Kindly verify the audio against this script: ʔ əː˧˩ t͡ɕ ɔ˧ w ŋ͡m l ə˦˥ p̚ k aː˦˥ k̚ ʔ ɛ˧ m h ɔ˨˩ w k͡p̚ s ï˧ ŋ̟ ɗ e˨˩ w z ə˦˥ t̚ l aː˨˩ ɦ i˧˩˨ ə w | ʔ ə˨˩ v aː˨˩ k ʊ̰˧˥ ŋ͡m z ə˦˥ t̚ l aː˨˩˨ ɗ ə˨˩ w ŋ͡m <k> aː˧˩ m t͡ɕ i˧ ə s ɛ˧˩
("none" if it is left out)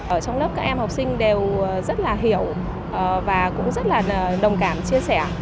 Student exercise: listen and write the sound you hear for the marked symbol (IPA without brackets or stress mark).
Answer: k